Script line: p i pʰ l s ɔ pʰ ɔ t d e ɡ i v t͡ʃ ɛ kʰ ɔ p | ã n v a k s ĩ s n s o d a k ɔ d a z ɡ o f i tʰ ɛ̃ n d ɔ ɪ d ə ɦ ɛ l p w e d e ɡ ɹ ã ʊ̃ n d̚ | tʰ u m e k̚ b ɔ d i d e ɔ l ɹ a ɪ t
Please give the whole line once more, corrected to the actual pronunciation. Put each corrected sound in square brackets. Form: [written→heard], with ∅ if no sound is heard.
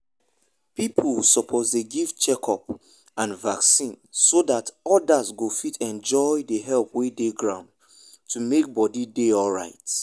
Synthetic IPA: p i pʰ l s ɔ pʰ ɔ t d e ɡ i v t͡ʃ ɛ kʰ ɔ p | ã n v a k s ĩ [s→∅] n s o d a [k→t] ɔ d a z ɡ o f i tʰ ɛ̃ n [d→d͡ʒ] ɔ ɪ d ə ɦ ɛ l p w e d e ɡ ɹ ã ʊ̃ n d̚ | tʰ u m e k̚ b ɔ d i d e ɔ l ɹ a ɪ t

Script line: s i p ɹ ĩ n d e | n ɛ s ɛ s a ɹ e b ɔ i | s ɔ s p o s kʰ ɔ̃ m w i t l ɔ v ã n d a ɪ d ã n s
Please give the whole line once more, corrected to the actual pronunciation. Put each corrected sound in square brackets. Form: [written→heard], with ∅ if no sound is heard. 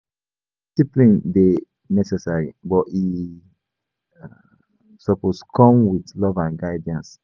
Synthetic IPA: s i p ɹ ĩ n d e | n ɛ s ɛ s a ɹ [e→i] b ɔ i | s ɔ [s→∅] p o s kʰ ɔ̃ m w i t l ɔ v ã n [d→ɡ] a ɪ d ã n s

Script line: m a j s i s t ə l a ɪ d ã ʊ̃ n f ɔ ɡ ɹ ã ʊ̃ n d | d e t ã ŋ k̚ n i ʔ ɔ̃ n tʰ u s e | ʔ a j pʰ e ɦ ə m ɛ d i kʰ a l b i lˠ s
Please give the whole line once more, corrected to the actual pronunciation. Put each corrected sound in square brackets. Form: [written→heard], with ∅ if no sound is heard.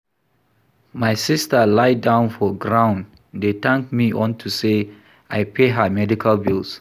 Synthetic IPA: m a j s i s t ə l a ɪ d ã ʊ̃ n f ɔ ɡ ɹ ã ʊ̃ n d | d e t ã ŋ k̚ [n→m] i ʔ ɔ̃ n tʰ u s e | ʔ a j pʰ e ɦ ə m ɛ d i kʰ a l b i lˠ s

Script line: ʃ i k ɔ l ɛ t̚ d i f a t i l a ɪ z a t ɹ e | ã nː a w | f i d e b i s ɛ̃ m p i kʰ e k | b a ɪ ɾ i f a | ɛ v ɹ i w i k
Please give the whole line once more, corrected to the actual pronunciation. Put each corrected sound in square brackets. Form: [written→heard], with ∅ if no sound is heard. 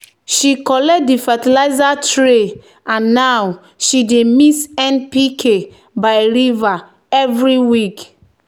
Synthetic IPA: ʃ i k ɔ l ɛ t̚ d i f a t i l a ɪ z a t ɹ e | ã nː a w | [f→ʃ] i d e [b→m] i s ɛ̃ [m→n] p i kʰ e [k→∅] | b a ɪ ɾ i [f→v] a | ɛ v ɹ i w i k

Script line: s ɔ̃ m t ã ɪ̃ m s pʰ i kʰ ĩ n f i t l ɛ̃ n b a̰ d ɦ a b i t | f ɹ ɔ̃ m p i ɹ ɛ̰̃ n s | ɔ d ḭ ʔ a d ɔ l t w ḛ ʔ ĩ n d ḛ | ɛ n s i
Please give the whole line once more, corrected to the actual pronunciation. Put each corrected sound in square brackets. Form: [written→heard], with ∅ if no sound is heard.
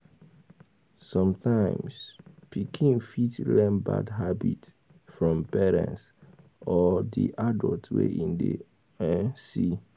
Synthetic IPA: s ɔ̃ m t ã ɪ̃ m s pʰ i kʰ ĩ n f i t l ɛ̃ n b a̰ d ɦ a b i t | f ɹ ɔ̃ m p [i→ɛ] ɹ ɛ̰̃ n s | ɔ d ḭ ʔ a d ɔ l t w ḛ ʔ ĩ n d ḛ | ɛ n s i

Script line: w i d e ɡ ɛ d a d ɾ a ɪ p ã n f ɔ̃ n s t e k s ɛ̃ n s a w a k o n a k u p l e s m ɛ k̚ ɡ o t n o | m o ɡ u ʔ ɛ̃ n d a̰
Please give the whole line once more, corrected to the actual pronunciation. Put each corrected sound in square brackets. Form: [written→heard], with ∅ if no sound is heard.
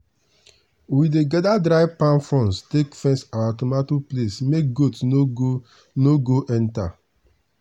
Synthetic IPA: w i d e ɡ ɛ d a d ɾ a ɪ p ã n f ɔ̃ n s t e k [s→f] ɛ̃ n s a w a [k→t] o [n→m] a [k→t] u p l e s m [ɛ→e] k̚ ɡ o t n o | [m→n] o ɡ [u→o] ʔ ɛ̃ n [d→t] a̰

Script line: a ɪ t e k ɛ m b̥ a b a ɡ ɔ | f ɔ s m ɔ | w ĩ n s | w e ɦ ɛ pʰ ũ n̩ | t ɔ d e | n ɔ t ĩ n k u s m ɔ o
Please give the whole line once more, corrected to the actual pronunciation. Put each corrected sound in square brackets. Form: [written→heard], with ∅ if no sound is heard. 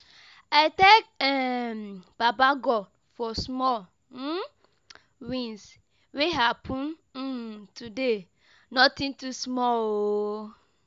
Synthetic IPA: a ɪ t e k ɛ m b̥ a b a ɡ ɔ | f ɔ s m ɔ | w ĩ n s | w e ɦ [ɛ→a] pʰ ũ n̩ | t [ɔ→u] d e | n ɔ t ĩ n [k→t] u s m ɔ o

